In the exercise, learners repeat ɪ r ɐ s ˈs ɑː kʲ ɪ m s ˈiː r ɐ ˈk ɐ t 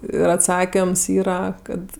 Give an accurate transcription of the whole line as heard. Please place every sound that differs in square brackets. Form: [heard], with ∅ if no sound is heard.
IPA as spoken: ɪ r ɐ [t] ˈs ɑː kʲ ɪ m s ˈiː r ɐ ˈk ɐ t